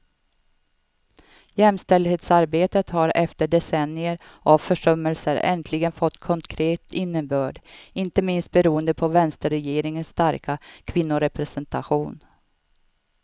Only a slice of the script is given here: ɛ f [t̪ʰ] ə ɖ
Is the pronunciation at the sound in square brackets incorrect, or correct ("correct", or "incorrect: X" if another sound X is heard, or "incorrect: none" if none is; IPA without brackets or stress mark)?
incorrect: t̪